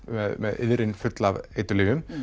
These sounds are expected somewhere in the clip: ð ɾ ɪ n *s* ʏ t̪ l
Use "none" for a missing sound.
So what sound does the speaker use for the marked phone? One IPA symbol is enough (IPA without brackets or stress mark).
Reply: f